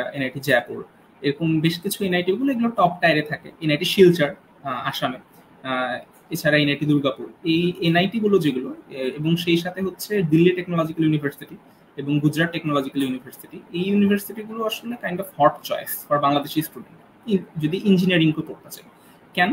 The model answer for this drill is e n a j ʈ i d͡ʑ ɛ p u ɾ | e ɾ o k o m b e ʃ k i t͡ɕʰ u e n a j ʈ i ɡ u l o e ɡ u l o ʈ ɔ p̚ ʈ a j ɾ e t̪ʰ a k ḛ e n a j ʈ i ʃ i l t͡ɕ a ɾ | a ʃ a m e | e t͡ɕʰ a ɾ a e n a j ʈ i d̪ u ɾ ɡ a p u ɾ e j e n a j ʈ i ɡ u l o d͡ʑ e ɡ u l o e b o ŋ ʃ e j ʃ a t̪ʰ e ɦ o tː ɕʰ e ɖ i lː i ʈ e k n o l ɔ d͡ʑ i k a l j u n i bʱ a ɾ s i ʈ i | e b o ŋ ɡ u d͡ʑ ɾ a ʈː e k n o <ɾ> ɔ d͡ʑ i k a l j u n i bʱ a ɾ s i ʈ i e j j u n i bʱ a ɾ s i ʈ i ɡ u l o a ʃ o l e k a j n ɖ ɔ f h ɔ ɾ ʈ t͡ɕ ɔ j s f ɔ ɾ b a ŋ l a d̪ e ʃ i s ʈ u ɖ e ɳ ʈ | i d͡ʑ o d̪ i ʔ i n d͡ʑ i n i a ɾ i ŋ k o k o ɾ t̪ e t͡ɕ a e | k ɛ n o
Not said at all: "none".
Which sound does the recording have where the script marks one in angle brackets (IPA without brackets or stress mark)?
l